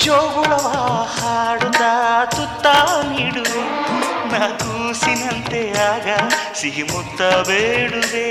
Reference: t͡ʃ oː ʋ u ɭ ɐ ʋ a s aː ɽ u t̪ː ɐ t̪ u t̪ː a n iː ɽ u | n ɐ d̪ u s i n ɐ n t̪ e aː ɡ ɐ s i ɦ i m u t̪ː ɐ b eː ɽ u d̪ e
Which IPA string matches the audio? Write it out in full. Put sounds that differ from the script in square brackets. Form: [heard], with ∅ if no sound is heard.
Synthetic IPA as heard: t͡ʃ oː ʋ u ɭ ɐ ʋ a [h] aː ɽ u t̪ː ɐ t̪ u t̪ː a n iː ɽ u | n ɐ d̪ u s i n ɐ n t̪ e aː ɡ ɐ s i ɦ i m u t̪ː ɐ b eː ɽ u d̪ e